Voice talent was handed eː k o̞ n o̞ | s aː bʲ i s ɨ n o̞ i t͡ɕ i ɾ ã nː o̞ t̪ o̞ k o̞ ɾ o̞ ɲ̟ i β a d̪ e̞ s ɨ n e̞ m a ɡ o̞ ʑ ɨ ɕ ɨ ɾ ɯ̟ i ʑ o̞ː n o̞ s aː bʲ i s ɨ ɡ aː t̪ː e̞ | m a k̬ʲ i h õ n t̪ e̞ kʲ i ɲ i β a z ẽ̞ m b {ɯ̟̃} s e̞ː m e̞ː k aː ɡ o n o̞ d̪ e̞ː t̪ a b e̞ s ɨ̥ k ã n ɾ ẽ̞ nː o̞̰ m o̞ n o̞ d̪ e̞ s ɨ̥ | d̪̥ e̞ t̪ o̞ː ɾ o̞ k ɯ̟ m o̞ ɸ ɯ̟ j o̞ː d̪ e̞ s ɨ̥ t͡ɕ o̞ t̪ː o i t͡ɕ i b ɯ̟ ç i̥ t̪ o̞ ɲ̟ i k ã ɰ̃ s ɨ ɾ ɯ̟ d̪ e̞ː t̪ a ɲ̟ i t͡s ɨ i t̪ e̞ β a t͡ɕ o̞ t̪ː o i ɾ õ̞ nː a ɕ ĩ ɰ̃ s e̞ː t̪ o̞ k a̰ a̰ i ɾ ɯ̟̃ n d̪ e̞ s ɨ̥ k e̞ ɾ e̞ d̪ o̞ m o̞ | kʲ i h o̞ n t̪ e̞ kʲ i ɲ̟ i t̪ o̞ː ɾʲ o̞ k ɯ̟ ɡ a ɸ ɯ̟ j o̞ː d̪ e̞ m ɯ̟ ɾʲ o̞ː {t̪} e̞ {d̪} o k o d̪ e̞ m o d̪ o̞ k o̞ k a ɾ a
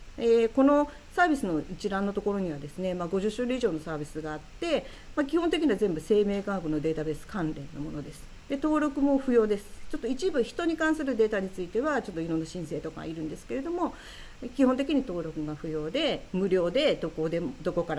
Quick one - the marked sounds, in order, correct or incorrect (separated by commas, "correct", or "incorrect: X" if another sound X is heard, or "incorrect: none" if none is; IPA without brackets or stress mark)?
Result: incorrect: ɯ̟, incorrect: d̪, correct